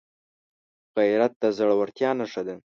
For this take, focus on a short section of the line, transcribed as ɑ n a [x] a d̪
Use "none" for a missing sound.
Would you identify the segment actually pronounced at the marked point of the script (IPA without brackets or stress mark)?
ʂ